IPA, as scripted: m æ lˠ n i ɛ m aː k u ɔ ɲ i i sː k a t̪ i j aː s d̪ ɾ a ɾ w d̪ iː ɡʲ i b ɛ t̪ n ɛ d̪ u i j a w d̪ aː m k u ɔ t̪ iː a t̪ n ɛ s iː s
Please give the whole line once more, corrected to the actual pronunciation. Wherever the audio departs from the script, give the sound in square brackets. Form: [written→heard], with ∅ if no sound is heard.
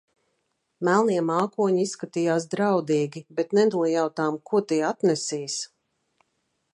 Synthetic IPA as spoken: m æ lˠ n i ɛ m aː k u ɔ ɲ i i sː k a t̪ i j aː s d̪ ɾ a [ɾ→∅] w d̪ iː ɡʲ i b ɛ t̪ n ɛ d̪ u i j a w [d̪→t̪] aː m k u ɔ t̪ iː a t̪ n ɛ s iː s